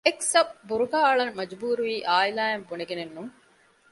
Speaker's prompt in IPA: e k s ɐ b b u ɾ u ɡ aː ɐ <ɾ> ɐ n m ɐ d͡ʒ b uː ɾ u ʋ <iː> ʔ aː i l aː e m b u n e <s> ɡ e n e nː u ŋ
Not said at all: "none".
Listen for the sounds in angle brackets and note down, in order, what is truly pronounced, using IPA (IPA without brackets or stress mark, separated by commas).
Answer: ɭ, iː, none